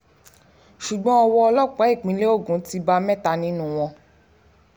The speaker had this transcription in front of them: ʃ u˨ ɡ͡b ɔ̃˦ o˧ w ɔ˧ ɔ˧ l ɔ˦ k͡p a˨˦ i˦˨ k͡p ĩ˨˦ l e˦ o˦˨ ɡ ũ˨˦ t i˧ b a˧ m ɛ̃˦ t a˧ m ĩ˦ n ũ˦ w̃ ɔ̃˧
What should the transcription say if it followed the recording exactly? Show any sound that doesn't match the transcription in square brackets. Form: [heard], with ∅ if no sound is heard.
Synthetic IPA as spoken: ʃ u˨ ɡ͡b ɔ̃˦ [ɔ˧] w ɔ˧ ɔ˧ l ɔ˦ k͡p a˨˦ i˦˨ k͡p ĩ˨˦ l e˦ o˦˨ ɡ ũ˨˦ t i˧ b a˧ m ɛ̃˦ t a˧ [n] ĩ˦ n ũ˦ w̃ ɔ̃˧

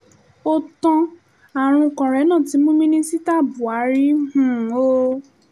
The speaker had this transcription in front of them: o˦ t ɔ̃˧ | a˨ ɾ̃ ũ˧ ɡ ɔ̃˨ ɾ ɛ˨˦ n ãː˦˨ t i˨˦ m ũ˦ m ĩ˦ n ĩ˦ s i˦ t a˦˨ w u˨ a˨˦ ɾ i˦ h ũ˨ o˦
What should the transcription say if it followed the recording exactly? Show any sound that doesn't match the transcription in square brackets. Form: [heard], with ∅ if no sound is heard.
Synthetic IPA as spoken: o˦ t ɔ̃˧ | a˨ ɾ̃ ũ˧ [k] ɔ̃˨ ɾ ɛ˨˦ n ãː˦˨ t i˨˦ m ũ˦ m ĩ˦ n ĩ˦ s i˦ t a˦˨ [b] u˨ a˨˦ ɾ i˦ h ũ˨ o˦

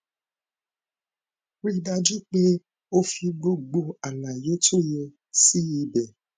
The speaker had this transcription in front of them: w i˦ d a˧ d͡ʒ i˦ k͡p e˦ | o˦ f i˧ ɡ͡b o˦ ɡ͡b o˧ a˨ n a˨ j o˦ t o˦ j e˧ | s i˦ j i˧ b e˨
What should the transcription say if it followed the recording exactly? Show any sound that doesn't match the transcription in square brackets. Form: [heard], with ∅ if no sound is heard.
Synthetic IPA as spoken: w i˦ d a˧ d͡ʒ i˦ k͡p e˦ | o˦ f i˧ ɡ͡b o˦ ɡ͡b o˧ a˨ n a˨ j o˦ t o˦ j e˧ | s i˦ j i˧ b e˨

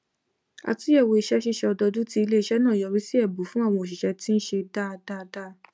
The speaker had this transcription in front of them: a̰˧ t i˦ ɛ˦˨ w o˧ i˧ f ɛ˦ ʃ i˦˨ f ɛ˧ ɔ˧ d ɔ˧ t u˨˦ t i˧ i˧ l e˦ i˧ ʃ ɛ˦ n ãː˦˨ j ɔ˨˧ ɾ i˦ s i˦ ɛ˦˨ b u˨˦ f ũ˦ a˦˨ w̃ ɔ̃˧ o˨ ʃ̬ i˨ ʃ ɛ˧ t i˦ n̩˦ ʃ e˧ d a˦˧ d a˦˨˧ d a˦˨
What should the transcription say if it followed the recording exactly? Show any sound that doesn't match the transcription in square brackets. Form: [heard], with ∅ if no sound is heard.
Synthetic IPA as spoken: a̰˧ t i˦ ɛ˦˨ w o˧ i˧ [ʃ] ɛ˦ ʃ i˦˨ [ʃ] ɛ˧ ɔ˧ d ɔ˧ [d] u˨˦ t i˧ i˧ l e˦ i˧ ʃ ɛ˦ n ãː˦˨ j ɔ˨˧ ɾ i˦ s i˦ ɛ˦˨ b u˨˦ f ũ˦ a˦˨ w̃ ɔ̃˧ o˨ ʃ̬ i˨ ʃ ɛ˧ t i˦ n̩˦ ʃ e˧ d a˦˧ d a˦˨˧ d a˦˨

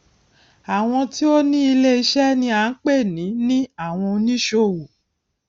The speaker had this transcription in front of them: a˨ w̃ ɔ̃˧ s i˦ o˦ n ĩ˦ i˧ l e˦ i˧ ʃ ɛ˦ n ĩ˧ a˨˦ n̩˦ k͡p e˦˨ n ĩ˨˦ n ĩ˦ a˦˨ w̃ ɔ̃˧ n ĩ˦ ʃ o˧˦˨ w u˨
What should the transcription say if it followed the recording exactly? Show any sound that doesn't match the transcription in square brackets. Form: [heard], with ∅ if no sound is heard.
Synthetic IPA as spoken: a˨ w̃ ɔ̃˧ [t] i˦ o˦ n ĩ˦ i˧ l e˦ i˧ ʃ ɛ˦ n ĩ˧ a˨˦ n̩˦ k͡p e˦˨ n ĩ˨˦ n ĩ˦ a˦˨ w̃ ɔ̃˧ n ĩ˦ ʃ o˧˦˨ w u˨

